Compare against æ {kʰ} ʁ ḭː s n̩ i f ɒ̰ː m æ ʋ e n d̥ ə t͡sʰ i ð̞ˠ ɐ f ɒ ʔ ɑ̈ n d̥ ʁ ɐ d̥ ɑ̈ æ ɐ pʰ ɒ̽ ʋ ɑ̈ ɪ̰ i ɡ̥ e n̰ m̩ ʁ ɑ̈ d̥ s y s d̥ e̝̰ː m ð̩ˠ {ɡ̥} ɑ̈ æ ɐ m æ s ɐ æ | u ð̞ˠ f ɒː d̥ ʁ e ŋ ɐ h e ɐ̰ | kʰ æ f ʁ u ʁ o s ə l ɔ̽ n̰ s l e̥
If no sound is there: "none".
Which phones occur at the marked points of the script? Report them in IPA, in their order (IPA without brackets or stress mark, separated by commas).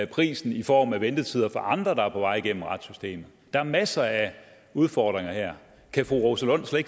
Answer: pʰ, d̥